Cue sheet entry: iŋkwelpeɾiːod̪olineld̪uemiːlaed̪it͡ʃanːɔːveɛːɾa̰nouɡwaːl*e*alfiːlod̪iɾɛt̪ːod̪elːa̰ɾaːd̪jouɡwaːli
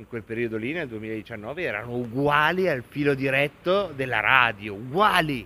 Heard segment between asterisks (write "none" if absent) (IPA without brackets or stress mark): i